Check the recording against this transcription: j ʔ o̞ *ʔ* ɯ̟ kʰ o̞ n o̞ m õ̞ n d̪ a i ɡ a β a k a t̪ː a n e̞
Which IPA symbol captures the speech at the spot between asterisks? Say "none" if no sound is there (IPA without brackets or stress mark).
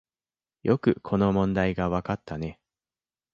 k